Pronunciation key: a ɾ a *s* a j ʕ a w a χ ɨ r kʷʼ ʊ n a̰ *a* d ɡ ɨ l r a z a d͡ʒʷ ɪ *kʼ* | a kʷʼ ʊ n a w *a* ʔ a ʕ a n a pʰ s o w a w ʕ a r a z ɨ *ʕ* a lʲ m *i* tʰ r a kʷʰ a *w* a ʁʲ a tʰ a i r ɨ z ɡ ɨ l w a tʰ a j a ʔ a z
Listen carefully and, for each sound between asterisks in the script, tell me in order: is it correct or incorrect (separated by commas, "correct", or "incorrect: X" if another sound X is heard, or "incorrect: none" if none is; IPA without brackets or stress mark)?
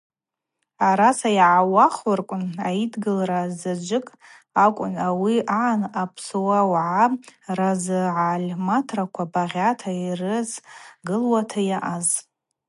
correct, incorrect: i, correct, incorrect: i, correct, incorrect: a, incorrect: b